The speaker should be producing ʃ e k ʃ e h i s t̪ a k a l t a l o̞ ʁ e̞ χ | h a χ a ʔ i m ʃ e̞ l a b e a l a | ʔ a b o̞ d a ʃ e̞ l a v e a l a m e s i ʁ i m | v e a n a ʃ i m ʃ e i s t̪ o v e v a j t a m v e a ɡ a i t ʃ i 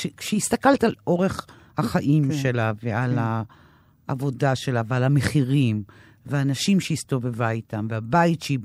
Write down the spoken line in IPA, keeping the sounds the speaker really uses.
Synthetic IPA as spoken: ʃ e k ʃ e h i s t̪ a k a l t a l o̞ ʁ e̞ χ | h a χ a ʔ i m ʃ e̞ l a v e a l a | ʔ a v o̞ d a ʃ e̞ l a v e a l a m e χ i ʁ i m | v e a n a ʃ i m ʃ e i s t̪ o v e v a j t a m v e a b a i t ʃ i